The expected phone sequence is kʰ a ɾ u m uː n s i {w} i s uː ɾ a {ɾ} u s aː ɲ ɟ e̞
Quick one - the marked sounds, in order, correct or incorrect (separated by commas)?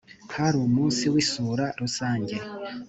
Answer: correct, correct